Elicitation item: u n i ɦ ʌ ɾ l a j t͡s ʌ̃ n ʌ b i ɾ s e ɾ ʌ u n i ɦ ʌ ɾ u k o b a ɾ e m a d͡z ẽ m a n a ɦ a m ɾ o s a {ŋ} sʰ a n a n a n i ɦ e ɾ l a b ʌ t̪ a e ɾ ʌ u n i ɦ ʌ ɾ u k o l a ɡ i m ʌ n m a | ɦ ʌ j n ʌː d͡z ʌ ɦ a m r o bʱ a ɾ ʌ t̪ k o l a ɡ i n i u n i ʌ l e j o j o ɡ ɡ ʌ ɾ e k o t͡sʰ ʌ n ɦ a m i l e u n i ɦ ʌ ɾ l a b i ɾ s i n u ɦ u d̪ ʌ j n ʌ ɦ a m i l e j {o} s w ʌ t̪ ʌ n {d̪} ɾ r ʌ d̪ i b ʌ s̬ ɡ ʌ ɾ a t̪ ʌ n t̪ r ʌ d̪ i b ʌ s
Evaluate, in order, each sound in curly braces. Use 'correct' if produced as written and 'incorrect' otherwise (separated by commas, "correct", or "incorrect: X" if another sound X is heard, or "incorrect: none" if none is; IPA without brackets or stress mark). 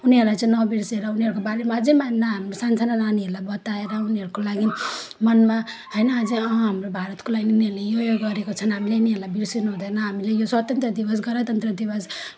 incorrect: n, correct, incorrect: t̪